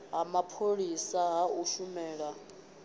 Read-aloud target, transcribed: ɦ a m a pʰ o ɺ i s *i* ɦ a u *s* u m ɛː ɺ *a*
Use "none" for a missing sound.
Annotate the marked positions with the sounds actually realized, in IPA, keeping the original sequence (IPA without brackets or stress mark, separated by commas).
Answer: a, ʃ, a